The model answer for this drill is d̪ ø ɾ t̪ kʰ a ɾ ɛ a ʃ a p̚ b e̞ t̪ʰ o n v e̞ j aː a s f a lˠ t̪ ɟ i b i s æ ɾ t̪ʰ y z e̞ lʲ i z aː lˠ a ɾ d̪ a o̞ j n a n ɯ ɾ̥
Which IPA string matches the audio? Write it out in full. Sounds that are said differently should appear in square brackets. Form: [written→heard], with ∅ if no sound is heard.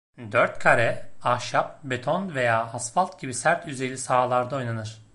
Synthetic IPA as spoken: d̪ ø ɾ t̪ kʰ a ɾ ɛ a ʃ a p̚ b e̞ t̪ʰ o n v e̞ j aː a s f a lˠ t̪ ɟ i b i s æ ɾ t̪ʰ y z e̞ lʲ i [z→s] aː lˠ a ɾ d̪ a o̞ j n a n ɯ ɾ̥